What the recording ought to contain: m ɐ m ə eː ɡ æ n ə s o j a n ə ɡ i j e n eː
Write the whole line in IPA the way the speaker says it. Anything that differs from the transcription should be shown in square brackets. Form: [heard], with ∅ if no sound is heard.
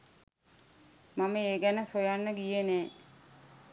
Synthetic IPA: m [a] m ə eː ɡ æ n ə s o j a [nː] ə ɡ i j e n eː